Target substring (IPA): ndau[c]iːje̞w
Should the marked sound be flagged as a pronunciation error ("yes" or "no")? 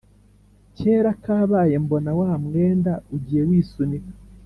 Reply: yes